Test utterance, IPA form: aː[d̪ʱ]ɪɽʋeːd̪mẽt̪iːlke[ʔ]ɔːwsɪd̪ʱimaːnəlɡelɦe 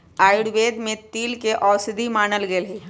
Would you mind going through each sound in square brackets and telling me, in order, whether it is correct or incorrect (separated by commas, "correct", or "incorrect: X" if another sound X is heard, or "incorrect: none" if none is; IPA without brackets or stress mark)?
incorrect: none, correct